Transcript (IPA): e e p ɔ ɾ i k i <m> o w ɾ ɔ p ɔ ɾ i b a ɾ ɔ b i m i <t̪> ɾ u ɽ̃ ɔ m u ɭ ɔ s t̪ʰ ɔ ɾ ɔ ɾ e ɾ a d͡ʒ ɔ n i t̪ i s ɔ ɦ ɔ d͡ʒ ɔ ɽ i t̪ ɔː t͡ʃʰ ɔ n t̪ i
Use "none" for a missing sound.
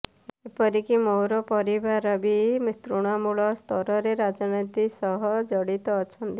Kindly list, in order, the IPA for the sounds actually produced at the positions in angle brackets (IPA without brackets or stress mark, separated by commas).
m, t̪